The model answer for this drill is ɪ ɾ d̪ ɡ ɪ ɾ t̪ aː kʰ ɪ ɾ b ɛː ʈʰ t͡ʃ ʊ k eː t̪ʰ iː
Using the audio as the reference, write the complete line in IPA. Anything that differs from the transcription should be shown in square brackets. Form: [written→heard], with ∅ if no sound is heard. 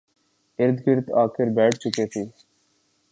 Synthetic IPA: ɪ ɾ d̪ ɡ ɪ ɾ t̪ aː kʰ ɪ ɾ b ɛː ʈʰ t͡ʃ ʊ k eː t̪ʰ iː